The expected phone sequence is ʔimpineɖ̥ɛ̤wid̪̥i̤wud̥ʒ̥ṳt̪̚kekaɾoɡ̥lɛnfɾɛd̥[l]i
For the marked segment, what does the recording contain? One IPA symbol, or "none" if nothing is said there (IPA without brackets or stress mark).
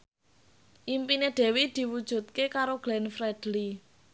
l